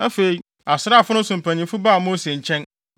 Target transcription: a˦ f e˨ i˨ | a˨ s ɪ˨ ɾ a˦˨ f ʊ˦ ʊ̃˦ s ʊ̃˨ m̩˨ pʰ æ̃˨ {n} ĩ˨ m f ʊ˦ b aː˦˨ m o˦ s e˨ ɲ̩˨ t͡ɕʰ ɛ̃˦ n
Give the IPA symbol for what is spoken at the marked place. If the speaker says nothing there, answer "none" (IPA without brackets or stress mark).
ɲ